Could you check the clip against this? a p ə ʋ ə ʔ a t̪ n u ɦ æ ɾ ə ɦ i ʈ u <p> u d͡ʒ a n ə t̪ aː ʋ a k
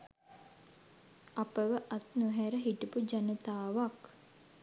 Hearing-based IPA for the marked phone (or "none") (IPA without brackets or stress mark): p